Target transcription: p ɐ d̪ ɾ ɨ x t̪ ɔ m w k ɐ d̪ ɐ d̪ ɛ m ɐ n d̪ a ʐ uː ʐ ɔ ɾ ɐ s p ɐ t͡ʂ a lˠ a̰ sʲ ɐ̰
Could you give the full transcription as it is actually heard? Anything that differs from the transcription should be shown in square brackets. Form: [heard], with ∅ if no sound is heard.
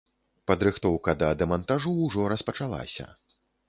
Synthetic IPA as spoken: p ɐ d̪ ɾ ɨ x t̪ ɔ [∅] w k ɐ d̪ ɐ d̪ ɛ m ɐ n [t̪] a ʐ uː ʐ ɔ ɾ ɐ s p ɐ t͡ʂ a lˠ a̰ sʲ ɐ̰

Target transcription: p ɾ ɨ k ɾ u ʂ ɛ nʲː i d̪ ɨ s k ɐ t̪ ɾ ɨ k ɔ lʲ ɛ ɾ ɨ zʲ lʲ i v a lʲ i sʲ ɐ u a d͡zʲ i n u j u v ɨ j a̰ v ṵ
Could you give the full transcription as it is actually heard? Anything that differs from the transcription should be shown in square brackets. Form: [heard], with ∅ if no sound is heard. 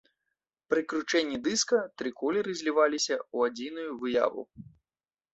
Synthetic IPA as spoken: p ɾ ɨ k ɾ u [t͡ʂ] ɛ nʲː i d̪ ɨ s k ɐ t̪ ɾ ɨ k ɔ lʲ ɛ ɾ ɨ zʲ lʲ i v a lʲ i sʲ ɐ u a d͡zʲ i n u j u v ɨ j a̰ v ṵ

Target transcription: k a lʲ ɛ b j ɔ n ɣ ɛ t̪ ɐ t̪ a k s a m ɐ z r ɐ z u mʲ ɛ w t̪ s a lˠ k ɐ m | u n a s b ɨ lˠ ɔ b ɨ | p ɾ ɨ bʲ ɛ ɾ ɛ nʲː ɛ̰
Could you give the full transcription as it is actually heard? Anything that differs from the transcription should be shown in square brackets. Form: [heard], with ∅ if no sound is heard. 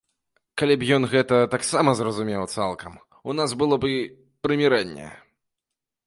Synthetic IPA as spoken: k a lʲ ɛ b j ɔ n ɣ ɛ t̪ ɐ t̪ a k s a m ɐ z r ɐ z u mʲ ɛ w t̪ s a lˠ k ɐ m | u n a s b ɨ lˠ ɔ b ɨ | p ɾ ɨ [mʲ] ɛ ɾ ɛ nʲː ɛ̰

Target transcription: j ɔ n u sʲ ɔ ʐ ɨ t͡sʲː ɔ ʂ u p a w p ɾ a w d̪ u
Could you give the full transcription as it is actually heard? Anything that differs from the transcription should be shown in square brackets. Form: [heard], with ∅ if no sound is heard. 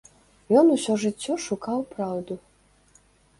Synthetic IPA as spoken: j ɔ n u sʲ ɔ ʐ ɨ t͡sʲː ɔ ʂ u [k] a w p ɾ a w d̪ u

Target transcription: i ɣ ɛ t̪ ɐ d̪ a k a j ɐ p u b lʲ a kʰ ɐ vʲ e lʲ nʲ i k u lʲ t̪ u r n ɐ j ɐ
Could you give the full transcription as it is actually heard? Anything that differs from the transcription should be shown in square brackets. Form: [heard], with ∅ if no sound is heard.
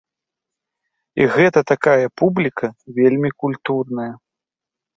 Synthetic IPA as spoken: i ɣ ɛ t̪ ɐ [t̪] a k a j ɐ p u b lʲ [i] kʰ ɐ vʲ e lʲ [mʲ] i k u lʲ t̪ u r n ɐ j ɐ

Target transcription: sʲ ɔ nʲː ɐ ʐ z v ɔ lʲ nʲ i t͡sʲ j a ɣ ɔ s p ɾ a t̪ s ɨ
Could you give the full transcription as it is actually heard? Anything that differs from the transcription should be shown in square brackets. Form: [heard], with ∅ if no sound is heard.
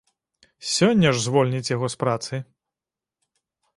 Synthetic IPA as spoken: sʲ ɔ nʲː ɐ ʐ z v ɔ lʲ nʲ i t͡sʲ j a ɣ ɔ s p ɾ a t̪ s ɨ

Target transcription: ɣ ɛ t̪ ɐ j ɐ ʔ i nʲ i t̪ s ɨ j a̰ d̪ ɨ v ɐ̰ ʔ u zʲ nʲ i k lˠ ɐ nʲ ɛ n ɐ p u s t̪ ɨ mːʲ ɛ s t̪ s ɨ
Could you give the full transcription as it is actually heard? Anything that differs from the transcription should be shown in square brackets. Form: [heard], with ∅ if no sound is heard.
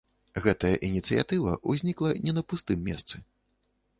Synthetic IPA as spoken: ɣ ɛ t̪ ɐ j ɐ ʔ i nʲ i t̪ s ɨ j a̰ [t̪] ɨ v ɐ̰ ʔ u zʲ nʲ i k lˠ ɐ nʲ ɛ n ɐ p u s t̪ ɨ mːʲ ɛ s t̪ s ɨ

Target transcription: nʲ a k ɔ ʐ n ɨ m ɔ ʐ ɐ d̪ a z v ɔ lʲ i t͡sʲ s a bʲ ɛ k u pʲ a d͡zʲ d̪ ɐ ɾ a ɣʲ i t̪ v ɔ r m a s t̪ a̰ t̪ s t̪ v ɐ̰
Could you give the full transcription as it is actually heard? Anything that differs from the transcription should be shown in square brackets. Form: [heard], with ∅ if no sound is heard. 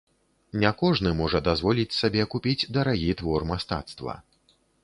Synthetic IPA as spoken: nʲ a k ɔ ʐ n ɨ m ɔ ʐ ɐ d̪ a z v ɔ lʲ i t͡sʲ s a bʲ ɛ k u pʲ [i] d͡zʲ d̪ ɐ ɾ a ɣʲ i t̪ v ɔ r m a s t̪ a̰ t̪ s t̪ v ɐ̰

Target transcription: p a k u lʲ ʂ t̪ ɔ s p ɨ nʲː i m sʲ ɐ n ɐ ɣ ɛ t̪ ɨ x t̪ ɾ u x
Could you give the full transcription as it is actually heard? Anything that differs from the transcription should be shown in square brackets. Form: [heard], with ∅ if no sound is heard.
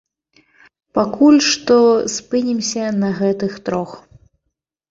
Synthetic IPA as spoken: p a k u lʲ ʂ t̪ ɔ s p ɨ [nʲ] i m sʲ ɐ n ɐ ɣ ɛ t̪ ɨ x t̪ ɾ [ɔ] x

